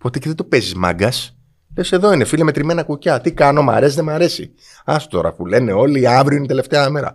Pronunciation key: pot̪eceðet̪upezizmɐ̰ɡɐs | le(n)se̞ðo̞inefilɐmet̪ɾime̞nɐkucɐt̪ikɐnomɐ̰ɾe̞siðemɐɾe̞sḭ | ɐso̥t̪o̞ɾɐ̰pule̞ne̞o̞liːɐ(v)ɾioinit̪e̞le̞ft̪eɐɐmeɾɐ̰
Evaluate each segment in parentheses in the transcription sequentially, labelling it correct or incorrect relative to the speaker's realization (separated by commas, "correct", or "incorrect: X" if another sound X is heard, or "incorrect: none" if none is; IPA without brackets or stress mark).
incorrect: none, correct